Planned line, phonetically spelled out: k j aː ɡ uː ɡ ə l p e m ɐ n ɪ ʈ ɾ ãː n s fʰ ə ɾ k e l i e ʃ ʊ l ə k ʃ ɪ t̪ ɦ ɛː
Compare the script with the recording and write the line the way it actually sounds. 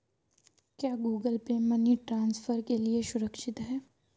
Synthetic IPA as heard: k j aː ɡ uː ɡ ə l p e m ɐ n i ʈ ɾ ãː n s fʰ ə ɾ k e l i e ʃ ʊ ɾ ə k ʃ ɪ t̪ ɦ ɛː